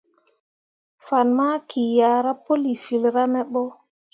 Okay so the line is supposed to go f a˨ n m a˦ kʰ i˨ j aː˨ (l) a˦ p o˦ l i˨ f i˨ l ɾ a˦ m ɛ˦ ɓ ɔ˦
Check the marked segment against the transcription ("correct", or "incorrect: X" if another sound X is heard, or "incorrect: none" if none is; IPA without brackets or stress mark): incorrect: ɾ